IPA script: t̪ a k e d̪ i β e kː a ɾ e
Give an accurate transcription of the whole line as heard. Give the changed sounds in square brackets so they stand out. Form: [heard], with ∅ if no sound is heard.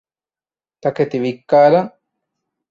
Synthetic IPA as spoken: t̪ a k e [t̪] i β [i] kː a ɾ [a]

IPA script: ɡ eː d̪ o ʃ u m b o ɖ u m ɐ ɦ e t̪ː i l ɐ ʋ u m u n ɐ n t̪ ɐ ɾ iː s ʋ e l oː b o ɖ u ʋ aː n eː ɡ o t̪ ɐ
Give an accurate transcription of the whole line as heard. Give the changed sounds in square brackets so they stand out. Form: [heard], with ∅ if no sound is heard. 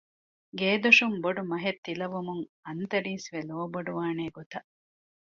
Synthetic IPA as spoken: ɡ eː d̪ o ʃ u m b o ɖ u m ɐ ɦ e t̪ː i l ɐ ʋ u m u [ŋ] ɐ n t̪ ɐ ɾ iː s ʋ e l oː b o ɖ u ʋ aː n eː ɡ o t̪ ɐ

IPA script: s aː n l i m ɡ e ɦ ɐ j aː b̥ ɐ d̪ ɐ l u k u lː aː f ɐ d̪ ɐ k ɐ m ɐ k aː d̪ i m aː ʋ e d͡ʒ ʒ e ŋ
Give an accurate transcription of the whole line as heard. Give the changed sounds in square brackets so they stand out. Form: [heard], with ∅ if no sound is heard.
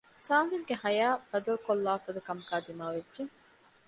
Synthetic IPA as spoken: s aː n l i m ɡ e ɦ ɐ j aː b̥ ɐ d̪ ɐ l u k [o] lː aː f ɐ d̪ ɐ k ɐ m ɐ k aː d̪ i m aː ʋ e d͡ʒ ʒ e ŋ

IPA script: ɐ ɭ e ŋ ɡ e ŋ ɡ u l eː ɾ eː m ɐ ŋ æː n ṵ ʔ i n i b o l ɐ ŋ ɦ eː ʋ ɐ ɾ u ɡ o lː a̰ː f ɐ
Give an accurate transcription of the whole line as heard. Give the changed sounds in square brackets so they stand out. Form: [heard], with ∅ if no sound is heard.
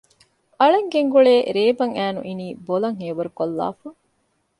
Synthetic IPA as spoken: ɐ ɭ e ŋ ɡ e ŋ ɡ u [ɭ] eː ɾ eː [b] ɐ ŋ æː n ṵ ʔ i n [iː] b o l ɐ ŋ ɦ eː ʋ ɐ ɾ u [k] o lː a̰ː f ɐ

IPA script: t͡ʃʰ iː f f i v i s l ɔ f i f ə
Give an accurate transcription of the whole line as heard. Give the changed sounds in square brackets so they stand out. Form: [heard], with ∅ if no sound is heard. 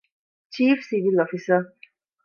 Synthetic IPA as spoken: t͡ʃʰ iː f [s] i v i [∅] l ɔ f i [s] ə

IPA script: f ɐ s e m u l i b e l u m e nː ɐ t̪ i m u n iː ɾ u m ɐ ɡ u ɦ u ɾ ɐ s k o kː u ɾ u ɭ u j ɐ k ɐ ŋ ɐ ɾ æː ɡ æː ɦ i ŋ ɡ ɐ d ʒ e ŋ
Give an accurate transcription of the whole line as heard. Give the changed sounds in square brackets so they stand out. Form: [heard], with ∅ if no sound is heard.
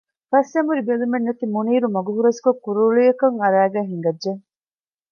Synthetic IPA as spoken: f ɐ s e m u [ɾ] i b e l u m e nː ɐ t̪ i m u n iː ɾ u m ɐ ɡ u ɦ u ɾ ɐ s k o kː u ɾ u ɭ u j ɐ k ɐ ŋ ɐ ɾ æː ɡ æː ɦ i ŋ ɡ ɐ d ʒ e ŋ

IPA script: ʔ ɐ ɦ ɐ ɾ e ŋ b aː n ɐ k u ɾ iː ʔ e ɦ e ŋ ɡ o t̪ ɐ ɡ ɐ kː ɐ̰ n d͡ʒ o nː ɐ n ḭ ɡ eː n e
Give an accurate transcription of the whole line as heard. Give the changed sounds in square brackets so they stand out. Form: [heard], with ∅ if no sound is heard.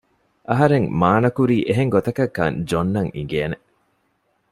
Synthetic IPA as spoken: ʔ ɐ ɦ ɐ ɾ e ŋ [m] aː n ɐ k u ɾ iː ʔ e ɦ e ŋ ɡ o t̪ ɐ [k] ɐ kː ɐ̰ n d͡ʒ o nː ɐ [ŋ] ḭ ɡ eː n e

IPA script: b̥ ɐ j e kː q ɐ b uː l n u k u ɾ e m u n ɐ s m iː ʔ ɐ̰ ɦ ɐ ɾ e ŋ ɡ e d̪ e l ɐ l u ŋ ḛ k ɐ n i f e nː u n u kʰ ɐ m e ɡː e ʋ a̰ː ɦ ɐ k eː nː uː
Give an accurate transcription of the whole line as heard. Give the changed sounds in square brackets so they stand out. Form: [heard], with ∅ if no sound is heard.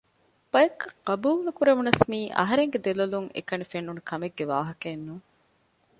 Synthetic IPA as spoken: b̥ ɐ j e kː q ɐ b uː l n u k u ɾ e m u n ɐ s m iː ʔ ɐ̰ ɦ ɐ ɾ e ŋ ɡ e d̪ e l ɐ l u ŋ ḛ k ɐ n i f e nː u n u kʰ ɐ m e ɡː e ʋ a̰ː ɦ ɐ k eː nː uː

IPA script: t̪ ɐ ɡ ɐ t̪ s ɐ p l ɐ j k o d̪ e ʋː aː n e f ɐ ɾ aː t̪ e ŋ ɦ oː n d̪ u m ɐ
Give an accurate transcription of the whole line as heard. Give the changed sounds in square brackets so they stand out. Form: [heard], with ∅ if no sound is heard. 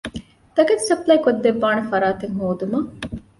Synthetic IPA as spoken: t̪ ɐ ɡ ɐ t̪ s ɐ p l ɐ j k o [d̪ː] e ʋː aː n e f ɐ ɾ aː t̪ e ŋ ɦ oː [∅] d̪ u m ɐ

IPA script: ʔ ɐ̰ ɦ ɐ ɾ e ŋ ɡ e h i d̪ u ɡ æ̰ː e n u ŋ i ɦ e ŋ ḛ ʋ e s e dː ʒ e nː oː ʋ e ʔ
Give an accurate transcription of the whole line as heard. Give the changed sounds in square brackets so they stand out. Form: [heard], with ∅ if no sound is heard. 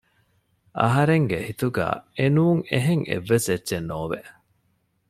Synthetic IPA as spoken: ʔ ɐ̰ ɦ ɐ ɾ e ŋ ɡ e h i [t̪] u ɡ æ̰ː e n [uː] ŋ [e] ɦ e ŋ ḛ [ʋː] e s e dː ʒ e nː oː ʋ e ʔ

